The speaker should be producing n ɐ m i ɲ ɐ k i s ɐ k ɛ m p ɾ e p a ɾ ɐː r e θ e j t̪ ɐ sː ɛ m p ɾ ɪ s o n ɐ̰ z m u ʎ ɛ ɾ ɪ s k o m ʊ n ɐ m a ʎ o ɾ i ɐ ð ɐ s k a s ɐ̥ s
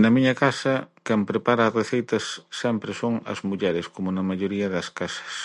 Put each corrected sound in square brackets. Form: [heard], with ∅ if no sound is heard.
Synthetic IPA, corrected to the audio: n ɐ m i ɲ ɐ k [a] s ɐ k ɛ m p ɾ e p a ɾ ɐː r e θ e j t̪ ɐ sː ɛ m p ɾ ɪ s o [ŋ] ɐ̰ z m u ʎ ɛ ɾ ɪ s k o m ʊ n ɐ m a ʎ o ɾ i ɐ ð ɐ s k a s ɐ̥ s